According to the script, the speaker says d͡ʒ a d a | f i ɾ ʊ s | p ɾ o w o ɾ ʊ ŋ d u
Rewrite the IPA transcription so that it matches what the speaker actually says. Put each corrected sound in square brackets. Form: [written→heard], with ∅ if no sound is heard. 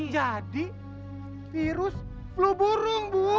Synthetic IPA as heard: d͡ʒ a d [a→i] | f i ɾ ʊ s | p [ɾ→l] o [w→b] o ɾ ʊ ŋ [d→b] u